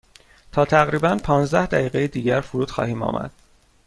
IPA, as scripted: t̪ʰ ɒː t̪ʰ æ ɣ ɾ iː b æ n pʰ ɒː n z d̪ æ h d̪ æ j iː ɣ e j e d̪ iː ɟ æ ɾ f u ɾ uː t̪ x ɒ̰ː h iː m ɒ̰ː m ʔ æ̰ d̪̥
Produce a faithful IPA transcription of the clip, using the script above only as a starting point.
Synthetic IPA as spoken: t̪ʰ ɒː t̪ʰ æ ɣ ɾ iː b æ n pʰ ɒː n z d̪ æ h d̪ æ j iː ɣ e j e d̪ iː ɟ æ ɾ f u ɾ uː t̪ x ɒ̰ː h iː m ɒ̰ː m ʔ æ̰ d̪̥